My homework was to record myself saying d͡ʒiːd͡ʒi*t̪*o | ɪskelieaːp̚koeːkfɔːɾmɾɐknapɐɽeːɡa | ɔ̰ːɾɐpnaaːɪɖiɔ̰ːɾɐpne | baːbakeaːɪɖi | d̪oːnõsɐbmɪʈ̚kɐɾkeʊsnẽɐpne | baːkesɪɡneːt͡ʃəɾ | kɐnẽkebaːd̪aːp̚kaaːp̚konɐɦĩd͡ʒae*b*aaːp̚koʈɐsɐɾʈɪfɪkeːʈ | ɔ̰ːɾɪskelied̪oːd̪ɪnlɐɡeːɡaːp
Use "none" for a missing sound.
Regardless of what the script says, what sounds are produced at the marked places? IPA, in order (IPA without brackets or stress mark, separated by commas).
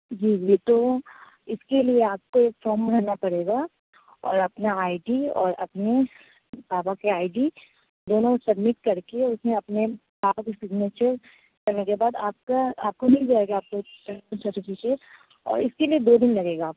t̪, ɡ